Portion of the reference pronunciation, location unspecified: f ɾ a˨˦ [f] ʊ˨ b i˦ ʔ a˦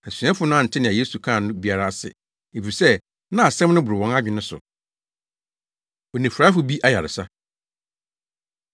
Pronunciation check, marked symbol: correct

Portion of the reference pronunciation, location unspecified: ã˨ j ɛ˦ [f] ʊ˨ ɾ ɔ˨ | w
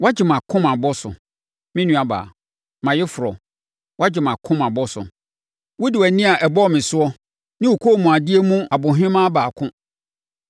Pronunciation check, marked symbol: correct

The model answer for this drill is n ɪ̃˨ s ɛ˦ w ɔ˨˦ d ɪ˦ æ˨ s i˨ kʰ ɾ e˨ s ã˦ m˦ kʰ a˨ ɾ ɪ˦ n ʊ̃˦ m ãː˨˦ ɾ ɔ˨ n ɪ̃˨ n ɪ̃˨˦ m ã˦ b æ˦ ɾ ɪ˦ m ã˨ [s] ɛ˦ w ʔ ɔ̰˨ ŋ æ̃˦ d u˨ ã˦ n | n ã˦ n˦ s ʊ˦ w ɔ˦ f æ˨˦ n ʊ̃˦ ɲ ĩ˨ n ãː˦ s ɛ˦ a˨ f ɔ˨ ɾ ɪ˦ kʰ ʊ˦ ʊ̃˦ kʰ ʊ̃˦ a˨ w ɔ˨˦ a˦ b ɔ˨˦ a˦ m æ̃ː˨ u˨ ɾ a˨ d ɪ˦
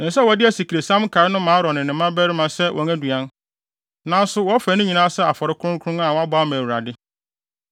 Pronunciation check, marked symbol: correct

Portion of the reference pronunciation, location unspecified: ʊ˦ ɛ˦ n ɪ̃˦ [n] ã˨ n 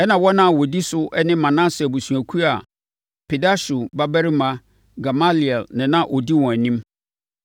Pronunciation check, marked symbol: incorrect: m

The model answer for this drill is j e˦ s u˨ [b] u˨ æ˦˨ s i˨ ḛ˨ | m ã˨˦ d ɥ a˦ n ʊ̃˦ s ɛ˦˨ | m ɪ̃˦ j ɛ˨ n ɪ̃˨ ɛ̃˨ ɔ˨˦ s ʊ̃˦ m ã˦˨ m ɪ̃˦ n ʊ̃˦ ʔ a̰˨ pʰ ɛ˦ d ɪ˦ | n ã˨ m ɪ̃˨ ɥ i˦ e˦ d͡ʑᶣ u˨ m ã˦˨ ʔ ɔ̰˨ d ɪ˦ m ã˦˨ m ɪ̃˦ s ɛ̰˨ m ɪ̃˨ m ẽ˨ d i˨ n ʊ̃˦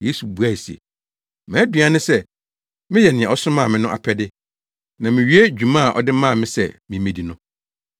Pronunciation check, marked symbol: correct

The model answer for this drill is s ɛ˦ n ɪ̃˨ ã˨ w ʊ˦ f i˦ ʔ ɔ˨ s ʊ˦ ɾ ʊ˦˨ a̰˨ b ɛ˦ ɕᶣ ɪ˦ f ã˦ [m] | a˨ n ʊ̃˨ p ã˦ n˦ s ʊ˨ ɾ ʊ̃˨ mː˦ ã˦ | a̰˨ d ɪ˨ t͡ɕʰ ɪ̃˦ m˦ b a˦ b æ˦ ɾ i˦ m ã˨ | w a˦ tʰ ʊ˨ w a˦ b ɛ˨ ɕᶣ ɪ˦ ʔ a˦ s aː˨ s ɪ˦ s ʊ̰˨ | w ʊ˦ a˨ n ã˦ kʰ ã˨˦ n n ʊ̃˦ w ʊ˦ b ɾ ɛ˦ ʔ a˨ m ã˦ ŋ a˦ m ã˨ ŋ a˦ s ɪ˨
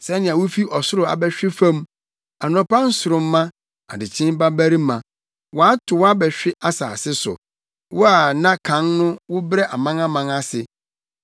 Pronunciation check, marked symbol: correct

